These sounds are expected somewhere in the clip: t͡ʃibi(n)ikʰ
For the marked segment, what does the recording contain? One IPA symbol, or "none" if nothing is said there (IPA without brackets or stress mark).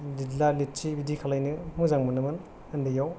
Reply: d